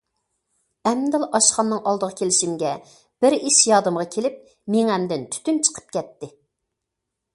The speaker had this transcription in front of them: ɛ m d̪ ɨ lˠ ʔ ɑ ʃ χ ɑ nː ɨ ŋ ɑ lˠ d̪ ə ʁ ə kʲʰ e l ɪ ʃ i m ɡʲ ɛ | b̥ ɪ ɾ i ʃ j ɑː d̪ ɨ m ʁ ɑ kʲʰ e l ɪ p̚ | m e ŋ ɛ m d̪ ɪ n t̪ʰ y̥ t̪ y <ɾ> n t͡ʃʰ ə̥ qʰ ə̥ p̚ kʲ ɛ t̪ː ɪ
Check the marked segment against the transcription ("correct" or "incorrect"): incorrect